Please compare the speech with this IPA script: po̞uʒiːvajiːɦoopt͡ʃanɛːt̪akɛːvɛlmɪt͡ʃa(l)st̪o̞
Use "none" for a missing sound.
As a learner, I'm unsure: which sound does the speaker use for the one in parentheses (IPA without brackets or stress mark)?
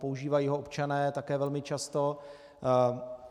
none